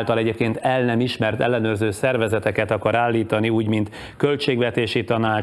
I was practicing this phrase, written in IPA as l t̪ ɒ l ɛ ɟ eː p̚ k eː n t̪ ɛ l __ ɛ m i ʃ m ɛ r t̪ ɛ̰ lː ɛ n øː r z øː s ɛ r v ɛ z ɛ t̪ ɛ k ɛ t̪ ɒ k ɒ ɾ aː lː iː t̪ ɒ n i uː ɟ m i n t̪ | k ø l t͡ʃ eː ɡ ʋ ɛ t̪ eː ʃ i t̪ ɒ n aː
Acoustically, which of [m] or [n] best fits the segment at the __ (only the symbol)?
n